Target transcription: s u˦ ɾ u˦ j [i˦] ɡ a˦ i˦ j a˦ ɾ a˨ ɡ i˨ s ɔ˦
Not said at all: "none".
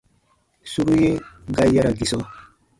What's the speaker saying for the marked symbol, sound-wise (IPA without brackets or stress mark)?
e˦